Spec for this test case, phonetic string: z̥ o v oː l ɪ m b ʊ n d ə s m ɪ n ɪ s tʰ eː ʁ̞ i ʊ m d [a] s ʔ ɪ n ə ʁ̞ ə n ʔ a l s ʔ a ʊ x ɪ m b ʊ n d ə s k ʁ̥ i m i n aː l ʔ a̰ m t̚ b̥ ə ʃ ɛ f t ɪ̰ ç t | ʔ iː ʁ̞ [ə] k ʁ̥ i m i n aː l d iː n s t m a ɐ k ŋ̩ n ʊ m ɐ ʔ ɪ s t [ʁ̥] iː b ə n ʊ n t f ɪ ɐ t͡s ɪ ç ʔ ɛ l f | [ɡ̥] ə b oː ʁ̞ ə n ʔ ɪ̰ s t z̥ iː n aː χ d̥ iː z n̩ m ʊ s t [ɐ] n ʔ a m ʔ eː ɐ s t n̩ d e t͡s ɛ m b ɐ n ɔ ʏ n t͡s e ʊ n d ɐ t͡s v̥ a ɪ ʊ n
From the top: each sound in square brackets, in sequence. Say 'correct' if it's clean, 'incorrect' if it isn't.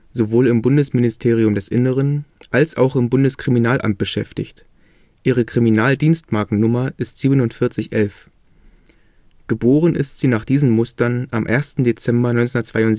incorrect: ɛ, correct, incorrect: z̥, correct, correct

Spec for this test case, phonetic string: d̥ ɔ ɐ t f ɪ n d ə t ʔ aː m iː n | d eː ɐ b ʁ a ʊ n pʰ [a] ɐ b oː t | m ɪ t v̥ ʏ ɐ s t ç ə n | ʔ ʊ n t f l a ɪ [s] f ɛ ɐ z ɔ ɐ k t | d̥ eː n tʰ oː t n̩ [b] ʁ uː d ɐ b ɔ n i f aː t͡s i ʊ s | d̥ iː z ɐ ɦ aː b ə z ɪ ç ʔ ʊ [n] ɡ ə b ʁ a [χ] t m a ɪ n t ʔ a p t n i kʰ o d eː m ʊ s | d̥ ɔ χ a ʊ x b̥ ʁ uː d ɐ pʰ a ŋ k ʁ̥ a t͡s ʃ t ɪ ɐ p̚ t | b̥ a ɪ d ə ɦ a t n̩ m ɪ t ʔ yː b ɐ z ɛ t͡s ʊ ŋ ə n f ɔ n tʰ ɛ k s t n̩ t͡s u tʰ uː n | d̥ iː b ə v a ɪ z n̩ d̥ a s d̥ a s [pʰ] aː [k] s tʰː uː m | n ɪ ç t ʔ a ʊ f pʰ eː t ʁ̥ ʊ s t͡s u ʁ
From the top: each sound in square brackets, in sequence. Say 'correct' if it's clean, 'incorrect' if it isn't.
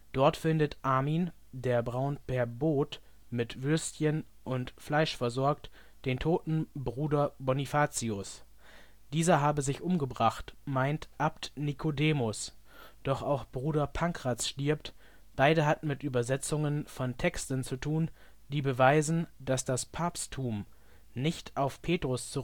incorrect: ɛ, incorrect: ʃ, correct, incorrect: m, correct, correct, incorrect: p

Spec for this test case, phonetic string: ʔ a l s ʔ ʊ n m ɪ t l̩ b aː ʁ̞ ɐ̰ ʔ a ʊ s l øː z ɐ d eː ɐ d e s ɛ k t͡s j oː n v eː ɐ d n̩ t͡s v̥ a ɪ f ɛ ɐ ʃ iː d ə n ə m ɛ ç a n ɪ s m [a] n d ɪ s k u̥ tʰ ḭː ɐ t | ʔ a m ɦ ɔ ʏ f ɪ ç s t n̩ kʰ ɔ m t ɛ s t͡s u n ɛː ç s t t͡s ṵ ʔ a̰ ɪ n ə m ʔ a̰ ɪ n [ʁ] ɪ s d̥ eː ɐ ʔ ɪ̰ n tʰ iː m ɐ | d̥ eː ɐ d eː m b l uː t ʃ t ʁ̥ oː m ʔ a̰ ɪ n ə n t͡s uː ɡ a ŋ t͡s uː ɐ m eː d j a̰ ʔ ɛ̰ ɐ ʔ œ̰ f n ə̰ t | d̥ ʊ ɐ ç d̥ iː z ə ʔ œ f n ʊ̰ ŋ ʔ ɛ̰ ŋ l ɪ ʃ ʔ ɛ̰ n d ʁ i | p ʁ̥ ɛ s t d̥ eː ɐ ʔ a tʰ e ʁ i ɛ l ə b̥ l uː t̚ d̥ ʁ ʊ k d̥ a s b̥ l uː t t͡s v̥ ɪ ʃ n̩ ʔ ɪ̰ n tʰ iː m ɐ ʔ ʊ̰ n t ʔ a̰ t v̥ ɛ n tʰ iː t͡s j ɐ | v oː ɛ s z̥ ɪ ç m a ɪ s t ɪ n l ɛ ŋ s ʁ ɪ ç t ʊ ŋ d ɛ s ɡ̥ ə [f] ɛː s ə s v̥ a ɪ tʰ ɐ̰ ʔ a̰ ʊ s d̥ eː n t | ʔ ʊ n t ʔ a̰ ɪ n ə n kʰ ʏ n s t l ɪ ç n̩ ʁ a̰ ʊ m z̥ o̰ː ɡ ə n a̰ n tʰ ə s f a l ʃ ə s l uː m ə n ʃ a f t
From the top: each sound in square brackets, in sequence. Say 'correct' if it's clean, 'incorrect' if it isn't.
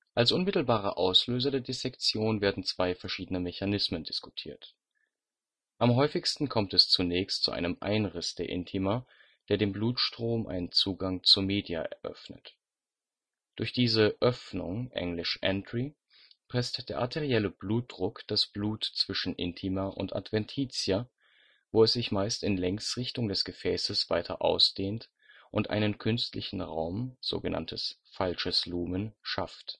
incorrect: ə, correct, correct

